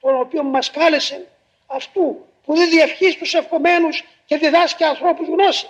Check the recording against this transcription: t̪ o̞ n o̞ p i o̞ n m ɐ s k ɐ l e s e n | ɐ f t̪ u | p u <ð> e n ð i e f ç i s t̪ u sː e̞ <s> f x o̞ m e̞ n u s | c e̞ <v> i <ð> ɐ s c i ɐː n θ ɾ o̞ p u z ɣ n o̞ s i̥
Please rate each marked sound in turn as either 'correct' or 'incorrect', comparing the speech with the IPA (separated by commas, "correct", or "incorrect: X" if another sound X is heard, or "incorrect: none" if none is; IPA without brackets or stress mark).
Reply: correct, incorrect: none, incorrect: ð, correct